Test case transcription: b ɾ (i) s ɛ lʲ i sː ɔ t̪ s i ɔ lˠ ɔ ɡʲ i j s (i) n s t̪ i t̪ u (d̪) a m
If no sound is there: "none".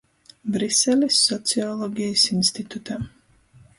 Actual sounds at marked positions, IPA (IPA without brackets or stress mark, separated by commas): i, i, t̪